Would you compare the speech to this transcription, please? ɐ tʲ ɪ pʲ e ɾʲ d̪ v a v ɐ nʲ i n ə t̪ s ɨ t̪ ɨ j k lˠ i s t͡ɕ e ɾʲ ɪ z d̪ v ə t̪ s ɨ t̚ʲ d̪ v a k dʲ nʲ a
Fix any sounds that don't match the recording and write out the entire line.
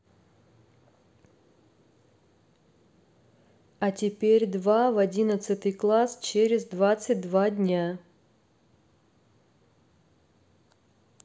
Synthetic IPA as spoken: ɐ tʲ ɪ pʲ e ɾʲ d̪ v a v ɐ dʲ i n ə t̪ s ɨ t̪ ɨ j k lˠ a s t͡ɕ e ɾʲ ɪ z d̪ v a t̪ s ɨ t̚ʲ d̪ v a dʲ nʲ a